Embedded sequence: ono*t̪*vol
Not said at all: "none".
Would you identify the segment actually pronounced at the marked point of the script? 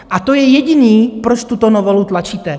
none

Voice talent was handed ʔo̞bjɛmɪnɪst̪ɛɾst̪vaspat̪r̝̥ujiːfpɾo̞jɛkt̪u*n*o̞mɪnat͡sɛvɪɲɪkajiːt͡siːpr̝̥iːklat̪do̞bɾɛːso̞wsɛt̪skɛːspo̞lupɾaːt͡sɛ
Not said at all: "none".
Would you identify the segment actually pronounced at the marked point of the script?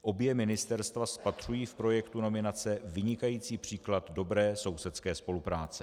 n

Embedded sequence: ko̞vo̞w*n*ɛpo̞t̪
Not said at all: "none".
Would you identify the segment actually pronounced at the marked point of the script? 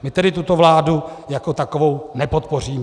n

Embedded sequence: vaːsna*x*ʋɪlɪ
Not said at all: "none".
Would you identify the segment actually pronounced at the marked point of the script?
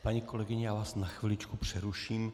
x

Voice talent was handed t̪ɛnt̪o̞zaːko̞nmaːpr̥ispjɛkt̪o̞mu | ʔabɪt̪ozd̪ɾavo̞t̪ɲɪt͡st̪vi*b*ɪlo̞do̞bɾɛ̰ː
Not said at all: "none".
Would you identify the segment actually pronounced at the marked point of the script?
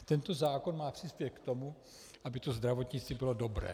b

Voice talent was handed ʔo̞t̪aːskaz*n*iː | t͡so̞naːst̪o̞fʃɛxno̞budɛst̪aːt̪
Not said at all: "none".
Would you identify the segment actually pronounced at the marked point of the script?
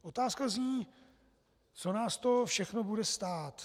ɲ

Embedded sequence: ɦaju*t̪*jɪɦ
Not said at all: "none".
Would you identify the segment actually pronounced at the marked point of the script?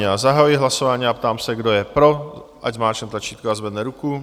none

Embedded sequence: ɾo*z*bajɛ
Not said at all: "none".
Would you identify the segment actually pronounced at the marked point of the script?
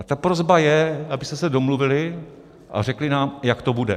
z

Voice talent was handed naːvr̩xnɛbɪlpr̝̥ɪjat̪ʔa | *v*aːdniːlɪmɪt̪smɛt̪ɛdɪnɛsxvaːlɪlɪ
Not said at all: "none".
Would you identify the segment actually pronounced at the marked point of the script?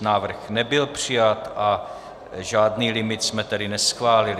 ʒ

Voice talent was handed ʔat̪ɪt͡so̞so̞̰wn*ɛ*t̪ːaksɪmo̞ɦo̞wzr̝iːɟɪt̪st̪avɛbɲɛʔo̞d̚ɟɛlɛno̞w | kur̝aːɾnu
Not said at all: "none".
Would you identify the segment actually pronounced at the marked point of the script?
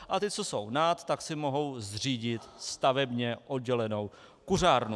a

